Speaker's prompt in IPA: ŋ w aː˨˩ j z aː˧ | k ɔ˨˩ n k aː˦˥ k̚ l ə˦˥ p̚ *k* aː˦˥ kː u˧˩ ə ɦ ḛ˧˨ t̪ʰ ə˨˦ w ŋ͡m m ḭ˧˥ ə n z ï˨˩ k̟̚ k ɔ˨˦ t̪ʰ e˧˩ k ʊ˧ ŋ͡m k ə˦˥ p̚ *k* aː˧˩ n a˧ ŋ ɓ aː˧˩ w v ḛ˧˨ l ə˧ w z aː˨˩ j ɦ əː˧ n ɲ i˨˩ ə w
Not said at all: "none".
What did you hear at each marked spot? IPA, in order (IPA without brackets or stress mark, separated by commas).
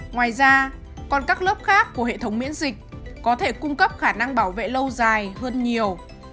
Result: x, x